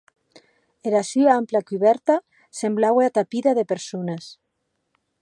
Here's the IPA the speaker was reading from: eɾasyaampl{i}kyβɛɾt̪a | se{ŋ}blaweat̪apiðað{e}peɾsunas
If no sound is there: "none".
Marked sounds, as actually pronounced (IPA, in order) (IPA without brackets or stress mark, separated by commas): a, m, e